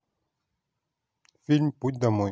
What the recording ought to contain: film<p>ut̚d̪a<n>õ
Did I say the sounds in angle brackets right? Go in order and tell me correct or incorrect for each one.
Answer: correct, incorrect: m

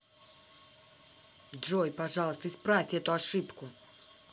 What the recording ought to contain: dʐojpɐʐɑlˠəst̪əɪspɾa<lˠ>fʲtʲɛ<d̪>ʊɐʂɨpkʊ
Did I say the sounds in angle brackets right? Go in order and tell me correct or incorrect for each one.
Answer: incorrect: none, incorrect: t̪

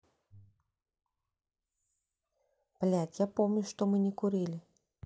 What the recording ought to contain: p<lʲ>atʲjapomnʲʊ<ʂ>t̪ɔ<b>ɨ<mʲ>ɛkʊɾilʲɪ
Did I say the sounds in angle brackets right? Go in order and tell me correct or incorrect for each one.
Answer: correct, correct, incorrect: m, incorrect: nʲ

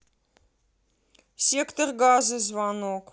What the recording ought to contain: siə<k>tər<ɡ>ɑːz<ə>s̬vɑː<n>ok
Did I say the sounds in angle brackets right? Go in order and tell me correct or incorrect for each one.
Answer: correct, correct, correct, correct

